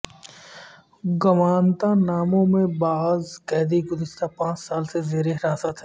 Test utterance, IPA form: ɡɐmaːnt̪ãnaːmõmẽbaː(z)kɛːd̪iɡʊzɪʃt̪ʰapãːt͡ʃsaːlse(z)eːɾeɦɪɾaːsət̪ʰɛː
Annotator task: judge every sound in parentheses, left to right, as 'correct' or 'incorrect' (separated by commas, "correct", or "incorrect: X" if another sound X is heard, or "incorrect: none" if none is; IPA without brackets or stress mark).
correct, correct